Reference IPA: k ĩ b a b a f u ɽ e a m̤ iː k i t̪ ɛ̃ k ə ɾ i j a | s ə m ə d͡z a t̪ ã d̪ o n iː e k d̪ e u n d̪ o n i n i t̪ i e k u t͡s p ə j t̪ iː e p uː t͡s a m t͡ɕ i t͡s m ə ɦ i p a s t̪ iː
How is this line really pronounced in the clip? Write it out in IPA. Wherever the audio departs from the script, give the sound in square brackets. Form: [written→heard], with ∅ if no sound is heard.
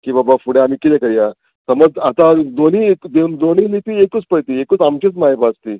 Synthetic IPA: k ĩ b a b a f u ɽ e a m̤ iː k i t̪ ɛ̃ k ə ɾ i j a | s ə m ə d͡z a t̪ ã d̪ o n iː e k d̪ e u n d̪ o n i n i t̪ i e k u t͡s p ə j t̪ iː e [p→k] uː t͡s a m t͡ɕ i t͡s m [ə→a] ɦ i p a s t̪ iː